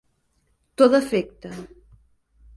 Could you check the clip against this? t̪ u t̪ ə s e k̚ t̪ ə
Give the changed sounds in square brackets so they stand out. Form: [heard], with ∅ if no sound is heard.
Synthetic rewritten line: t̪ [o] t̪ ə [f] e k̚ t̪ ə